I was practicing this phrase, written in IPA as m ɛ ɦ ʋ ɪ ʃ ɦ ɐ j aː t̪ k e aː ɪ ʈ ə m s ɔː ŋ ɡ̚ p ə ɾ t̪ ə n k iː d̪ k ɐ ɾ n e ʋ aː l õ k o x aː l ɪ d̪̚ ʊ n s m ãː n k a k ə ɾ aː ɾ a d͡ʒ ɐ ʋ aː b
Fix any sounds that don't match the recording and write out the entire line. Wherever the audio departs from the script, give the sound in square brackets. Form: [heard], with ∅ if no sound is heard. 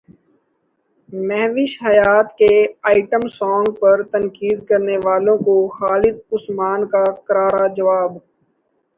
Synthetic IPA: m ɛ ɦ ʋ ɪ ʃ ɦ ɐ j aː t̪ k e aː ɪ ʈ ə m s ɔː ŋ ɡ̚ p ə ɾ t̪ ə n k iː d̪ k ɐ ɾ n e ʋ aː l õ k o x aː l ɪ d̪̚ ʊ [∅] s m [aː] n k a k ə ɾ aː ɾ a d͡ʒ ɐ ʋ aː b